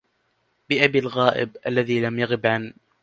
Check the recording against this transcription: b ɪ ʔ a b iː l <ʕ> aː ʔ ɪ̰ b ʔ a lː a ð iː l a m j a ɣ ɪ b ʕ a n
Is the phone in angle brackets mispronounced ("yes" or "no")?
yes